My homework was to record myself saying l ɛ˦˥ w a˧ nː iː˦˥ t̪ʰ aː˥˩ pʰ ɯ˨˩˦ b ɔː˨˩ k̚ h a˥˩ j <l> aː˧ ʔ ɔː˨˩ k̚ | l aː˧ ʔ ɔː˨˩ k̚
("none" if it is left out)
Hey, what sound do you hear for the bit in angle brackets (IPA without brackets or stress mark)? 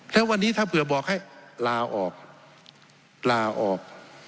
l